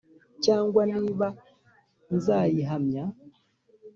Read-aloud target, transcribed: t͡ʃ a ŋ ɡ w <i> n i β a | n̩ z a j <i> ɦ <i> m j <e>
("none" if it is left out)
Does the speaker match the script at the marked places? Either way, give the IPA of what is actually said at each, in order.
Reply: a, i, a, a

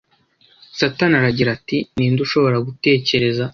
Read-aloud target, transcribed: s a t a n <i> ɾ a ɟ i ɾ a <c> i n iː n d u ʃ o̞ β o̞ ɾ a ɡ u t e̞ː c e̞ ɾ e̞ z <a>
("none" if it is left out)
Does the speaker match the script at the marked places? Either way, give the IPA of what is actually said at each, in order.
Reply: a, t, a

